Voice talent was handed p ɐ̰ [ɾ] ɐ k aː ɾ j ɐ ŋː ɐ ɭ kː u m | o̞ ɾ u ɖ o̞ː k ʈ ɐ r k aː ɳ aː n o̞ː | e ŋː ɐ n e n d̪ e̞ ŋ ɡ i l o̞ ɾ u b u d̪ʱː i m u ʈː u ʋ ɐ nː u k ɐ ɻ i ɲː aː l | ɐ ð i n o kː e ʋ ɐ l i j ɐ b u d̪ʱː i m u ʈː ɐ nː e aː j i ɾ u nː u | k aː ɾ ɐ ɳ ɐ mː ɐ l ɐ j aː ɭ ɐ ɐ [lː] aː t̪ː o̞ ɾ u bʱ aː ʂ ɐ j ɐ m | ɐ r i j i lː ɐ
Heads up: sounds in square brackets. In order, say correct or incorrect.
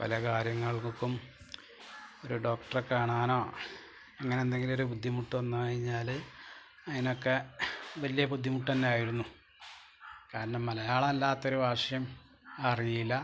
incorrect: l, correct

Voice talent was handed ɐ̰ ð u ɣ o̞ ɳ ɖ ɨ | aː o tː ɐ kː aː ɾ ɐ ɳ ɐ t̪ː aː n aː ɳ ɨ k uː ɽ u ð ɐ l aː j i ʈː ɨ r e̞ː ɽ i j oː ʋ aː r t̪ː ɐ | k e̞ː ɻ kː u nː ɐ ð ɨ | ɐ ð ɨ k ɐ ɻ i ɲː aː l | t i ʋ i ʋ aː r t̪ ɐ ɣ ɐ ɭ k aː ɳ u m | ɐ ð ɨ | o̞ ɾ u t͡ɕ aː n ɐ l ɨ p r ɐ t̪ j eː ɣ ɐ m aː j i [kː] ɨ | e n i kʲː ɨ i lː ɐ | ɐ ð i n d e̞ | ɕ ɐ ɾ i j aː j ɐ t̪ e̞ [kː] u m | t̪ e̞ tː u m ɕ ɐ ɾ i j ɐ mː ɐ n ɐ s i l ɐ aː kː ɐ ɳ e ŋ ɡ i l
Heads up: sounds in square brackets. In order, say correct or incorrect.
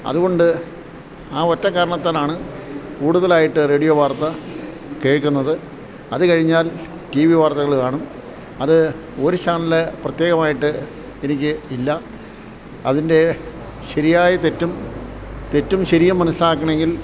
incorrect: ʈː, incorrect: tː

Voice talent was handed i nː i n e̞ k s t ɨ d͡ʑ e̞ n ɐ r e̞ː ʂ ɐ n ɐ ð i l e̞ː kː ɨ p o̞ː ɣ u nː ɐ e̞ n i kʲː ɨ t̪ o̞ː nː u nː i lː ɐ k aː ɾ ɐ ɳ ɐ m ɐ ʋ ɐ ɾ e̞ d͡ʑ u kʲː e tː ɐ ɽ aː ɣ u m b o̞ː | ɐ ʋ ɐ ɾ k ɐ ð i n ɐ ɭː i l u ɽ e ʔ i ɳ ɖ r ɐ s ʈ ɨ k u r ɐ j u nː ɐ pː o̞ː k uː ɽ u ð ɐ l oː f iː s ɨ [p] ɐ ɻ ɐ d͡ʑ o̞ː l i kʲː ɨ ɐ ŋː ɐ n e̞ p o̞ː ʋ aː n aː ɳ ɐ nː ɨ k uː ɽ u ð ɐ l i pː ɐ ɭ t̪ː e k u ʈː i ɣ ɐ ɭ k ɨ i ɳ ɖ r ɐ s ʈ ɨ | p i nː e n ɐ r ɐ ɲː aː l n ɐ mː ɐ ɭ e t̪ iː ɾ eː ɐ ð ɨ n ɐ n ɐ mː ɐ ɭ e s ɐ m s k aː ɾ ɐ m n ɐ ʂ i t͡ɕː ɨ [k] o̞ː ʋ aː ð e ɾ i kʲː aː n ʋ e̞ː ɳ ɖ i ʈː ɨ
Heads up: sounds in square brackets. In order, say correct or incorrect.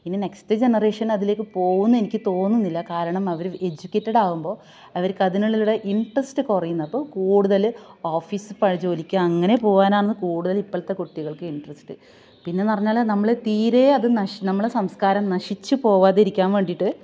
correct, incorrect: p

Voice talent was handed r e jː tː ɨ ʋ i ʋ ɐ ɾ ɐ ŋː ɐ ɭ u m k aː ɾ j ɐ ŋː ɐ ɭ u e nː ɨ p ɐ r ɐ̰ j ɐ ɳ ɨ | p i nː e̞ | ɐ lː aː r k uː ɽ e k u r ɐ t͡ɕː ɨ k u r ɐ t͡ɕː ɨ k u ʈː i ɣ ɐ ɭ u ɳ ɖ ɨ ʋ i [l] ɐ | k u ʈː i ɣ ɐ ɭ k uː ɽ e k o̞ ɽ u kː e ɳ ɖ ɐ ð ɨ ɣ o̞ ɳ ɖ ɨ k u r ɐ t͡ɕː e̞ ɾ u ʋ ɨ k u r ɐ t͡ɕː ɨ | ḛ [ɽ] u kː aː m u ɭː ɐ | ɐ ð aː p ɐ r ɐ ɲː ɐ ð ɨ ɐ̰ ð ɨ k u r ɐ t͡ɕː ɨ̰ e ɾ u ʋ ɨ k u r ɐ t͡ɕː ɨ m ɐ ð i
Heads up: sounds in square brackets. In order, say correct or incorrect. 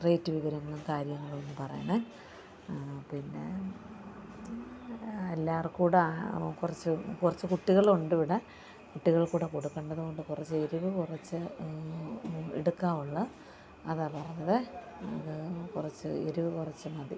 incorrect: ɽ, correct

